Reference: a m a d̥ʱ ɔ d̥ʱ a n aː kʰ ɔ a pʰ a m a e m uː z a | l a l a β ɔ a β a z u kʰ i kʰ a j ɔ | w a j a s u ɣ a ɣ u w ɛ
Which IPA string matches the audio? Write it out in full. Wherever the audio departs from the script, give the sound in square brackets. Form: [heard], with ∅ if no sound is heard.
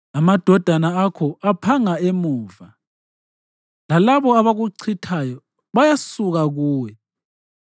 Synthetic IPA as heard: a m a d̥ʱ ɔ d̥ʱ a n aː kʰ ɔ a pʰ a [ŋ] a e m uː [v] a | l a l a β ɔ a β a [ɣ] u [ǀʰ] i [tʰ] a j ɔ | [β] a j a s u ɣ a ɣ [uː] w ɛ